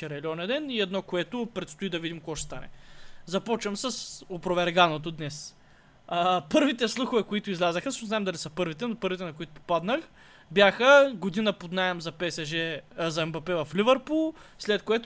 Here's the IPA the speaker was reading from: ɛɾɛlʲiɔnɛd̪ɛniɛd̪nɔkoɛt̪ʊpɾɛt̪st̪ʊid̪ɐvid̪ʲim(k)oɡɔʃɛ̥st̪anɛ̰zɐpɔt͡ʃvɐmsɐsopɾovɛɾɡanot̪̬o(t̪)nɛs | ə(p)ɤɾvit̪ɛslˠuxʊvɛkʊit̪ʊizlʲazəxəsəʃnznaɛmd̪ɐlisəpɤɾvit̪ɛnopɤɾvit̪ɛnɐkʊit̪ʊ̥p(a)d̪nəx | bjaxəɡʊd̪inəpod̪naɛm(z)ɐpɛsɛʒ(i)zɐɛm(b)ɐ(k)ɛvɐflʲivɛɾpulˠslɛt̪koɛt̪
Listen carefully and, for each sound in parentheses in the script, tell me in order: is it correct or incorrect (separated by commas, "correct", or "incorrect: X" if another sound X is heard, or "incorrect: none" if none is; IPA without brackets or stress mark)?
correct, incorrect: d̪, correct, correct, correct, incorrect: ɛ, correct, incorrect: p